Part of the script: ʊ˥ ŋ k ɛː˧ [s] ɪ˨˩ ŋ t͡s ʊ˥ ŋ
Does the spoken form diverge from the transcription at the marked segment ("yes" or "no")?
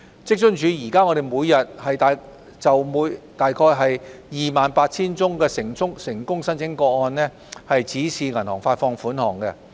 no